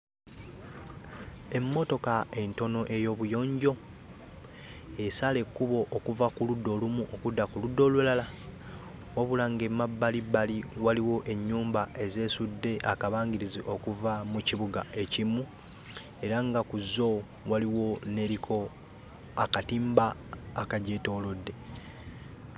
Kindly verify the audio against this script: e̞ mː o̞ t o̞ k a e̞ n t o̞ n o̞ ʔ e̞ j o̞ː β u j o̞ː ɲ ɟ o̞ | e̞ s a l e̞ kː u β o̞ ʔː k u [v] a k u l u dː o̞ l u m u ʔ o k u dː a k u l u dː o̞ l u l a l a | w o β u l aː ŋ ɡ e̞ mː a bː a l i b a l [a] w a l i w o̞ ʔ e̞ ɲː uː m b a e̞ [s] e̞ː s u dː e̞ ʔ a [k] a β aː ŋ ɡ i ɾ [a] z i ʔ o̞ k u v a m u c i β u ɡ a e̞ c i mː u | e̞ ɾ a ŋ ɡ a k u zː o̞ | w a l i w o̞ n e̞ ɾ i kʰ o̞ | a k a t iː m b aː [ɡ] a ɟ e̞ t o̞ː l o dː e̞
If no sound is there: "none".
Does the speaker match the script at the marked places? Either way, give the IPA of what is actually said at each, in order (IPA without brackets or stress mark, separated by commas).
v, i, z, k, i, k